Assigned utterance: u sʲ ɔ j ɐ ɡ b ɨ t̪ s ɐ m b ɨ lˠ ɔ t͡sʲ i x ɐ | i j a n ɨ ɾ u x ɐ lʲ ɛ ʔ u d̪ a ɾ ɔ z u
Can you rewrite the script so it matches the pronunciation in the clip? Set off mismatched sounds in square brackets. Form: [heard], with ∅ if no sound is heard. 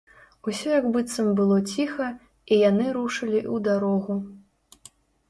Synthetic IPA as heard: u sʲ ɔ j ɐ ɡ b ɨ t̪ s ɐ m b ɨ lˠ ɔ t͡sʲ i x ɐ | i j a n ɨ ɾ u [ʂ] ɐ lʲ [i] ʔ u d̪ a ɾ ɔ [ɣ] u